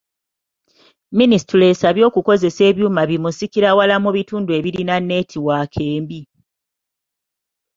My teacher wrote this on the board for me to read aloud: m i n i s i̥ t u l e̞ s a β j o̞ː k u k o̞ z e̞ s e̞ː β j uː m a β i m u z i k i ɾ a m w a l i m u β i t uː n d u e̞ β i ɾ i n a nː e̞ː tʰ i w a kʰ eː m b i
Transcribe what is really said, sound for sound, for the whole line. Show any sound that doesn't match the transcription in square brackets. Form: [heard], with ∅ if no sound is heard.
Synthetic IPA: m i n i s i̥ t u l e̞ s a β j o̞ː k u k o̞ z e̞ s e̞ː β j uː m a β i m u [s] i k i ɾ a [∅] w a l [a] m u β i t uː n d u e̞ β i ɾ i n a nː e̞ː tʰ i w a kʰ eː m b i